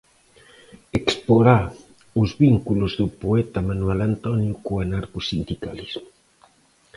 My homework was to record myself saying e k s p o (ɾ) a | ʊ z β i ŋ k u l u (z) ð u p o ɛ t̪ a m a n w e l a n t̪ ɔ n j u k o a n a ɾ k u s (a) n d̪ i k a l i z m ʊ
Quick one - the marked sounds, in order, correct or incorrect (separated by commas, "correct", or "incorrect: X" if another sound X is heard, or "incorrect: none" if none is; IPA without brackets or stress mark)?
correct, correct, incorrect: i